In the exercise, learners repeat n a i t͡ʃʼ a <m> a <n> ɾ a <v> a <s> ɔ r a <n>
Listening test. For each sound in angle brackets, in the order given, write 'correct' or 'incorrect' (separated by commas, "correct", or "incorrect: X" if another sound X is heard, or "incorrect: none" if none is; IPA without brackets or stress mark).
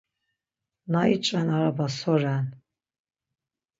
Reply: incorrect: n, incorrect: none, incorrect: b, correct, correct